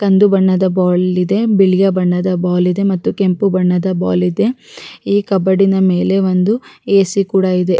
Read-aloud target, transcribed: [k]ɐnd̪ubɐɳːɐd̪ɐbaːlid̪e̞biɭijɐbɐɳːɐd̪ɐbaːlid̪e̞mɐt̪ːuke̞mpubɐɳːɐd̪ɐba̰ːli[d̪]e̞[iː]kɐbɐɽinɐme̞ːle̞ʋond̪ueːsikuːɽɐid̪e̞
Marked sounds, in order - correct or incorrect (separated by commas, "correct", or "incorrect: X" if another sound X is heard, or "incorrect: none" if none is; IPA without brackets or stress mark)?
correct, correct, correct